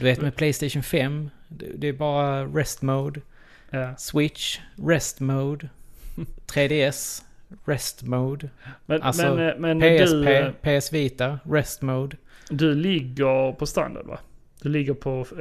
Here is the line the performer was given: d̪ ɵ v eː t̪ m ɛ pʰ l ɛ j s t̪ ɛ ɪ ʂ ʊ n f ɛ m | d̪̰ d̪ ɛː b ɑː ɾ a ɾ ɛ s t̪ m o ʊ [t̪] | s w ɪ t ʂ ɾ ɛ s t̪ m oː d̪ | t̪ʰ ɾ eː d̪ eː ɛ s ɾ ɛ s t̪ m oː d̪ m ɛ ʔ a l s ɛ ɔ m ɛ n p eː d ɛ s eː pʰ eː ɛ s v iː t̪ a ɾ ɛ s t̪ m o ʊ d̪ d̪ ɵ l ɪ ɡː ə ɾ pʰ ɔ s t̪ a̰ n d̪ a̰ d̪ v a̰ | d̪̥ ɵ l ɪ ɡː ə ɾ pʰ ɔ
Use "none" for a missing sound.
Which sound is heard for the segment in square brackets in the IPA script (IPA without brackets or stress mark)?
d̪